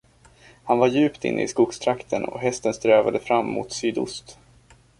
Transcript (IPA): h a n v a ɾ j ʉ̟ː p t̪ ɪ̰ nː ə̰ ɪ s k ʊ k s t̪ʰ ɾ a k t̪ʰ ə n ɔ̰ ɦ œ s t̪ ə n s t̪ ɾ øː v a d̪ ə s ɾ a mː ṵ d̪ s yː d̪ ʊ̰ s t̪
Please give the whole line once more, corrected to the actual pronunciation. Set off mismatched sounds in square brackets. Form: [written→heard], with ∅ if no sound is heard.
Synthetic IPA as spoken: h a n v a ɾ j ʉ̟ː p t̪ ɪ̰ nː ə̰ ɪ s k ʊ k s t̪ʰ ɾ a k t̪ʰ ə n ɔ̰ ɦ [œ→ɛ] s t̪ ə n s t̪ ɾ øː v a d̪ ə [s→f] ɾ a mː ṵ [d̪→t̪] s yː d̪ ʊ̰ s t̪